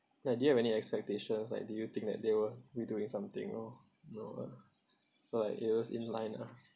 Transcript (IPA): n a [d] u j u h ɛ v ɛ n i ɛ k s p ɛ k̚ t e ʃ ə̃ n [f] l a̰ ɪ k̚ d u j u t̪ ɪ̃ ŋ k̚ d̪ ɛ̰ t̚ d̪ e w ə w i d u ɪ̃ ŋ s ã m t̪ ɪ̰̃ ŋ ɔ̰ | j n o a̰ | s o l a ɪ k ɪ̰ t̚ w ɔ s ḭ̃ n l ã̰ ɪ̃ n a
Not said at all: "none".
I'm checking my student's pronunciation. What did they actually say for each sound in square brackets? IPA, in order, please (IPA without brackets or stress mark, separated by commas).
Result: d, s